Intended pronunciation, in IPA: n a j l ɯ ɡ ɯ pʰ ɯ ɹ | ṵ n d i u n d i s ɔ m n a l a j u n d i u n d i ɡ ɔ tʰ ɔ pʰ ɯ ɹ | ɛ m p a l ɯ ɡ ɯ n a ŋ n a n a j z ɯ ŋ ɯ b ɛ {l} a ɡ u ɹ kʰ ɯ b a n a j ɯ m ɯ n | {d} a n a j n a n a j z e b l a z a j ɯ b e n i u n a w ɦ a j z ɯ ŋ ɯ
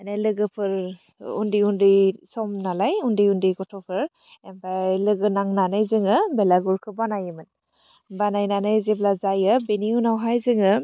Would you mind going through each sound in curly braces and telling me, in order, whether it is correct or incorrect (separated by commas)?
correct, incorrect